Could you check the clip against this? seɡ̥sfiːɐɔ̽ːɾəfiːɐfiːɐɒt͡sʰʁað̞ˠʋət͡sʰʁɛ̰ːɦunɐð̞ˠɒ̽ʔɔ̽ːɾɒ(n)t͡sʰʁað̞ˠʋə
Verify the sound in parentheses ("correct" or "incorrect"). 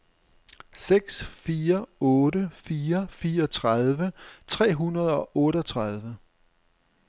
incorrect